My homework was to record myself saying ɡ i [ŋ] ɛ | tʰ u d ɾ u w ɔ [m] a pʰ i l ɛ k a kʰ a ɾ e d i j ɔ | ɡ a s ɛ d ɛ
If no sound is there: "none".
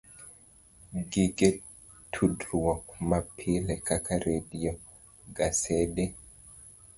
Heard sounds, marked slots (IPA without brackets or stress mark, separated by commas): ɡ, m